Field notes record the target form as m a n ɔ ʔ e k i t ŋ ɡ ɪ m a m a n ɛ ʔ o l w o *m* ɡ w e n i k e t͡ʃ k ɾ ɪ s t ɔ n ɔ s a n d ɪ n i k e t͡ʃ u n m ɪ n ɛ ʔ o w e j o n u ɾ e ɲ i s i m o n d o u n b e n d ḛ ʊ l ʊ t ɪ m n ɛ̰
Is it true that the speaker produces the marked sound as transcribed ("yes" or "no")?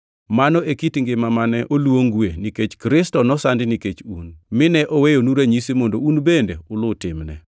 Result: no